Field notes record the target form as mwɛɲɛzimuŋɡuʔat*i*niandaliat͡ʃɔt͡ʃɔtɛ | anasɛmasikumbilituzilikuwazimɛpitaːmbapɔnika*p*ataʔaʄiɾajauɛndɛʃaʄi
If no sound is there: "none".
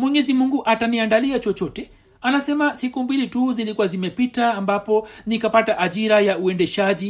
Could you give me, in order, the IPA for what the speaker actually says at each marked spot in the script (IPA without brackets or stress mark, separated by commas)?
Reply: a, p